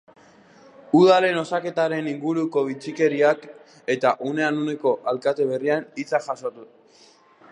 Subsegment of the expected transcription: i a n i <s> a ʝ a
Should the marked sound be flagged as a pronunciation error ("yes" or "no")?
yes